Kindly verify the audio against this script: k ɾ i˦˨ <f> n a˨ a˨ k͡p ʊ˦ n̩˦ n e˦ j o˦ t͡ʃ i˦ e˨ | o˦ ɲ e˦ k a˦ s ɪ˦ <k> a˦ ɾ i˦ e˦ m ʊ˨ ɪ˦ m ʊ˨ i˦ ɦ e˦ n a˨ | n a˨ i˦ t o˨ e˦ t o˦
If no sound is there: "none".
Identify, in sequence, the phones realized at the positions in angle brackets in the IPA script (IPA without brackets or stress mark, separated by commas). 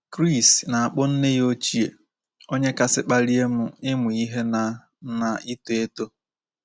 s, k͡p